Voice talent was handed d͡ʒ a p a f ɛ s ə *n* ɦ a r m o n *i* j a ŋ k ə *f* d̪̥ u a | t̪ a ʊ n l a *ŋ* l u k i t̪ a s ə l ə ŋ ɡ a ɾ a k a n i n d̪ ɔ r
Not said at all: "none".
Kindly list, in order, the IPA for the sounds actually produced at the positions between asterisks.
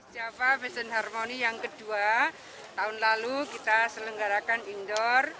n, i, none, none

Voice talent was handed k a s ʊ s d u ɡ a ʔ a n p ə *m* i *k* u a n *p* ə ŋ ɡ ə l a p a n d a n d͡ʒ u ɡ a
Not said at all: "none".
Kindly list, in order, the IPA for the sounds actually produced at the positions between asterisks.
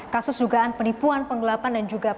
n, p, p

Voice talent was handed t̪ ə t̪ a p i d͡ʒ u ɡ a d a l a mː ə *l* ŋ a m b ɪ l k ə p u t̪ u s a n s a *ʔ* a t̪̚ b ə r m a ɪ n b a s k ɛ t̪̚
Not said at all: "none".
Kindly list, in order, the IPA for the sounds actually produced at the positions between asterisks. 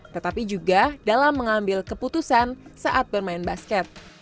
none, ʔ

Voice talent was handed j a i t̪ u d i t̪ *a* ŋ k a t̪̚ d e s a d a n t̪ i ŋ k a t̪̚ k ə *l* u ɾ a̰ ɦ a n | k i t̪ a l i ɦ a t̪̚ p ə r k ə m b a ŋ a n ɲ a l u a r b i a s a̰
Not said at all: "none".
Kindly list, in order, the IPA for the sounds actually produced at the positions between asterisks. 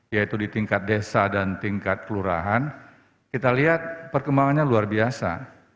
i, l

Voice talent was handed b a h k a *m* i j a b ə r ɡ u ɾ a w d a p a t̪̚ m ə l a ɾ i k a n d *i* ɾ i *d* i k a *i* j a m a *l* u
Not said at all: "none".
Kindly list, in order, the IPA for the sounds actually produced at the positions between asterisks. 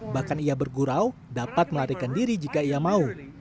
n, i, d͡ʒ, i, none

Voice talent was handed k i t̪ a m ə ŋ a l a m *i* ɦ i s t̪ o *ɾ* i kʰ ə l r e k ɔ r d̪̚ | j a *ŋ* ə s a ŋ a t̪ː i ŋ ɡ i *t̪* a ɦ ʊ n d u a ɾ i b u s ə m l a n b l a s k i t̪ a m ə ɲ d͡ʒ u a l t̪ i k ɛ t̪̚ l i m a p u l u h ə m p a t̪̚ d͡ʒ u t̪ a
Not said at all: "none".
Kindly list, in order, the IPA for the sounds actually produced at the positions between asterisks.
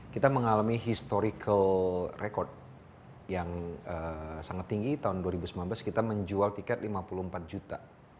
i, ɾ, ŋ, t̪

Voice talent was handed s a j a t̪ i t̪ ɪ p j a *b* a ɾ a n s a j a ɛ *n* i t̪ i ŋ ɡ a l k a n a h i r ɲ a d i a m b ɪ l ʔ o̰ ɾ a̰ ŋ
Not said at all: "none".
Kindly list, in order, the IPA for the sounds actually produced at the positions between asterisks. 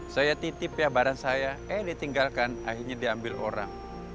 b, d

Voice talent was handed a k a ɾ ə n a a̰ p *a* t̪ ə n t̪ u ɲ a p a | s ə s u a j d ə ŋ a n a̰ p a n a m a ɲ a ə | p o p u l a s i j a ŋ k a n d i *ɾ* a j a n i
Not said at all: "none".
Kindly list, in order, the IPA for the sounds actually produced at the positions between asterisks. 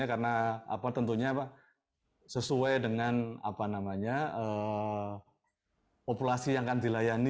a, l

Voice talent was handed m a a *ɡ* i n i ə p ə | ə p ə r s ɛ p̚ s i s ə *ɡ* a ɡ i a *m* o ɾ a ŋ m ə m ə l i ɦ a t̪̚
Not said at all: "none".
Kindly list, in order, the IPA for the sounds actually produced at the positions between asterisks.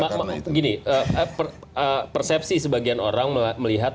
ɡ, b, n

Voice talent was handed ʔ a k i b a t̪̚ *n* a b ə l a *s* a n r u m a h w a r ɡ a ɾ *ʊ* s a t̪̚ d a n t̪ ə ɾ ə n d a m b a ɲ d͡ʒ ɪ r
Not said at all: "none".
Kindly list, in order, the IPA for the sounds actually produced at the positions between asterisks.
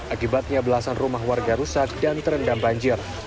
ɲ, s, u

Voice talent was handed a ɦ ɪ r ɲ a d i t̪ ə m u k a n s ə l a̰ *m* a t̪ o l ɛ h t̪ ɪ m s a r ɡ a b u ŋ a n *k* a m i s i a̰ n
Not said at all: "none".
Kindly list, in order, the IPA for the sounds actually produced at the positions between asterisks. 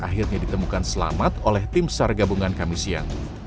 m, k

